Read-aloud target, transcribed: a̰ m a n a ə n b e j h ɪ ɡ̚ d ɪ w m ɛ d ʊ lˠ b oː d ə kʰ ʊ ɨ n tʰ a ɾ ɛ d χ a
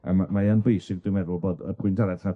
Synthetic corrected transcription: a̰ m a m a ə n b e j s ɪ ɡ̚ d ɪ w m ɛ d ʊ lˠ b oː d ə pʰ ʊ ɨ n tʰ a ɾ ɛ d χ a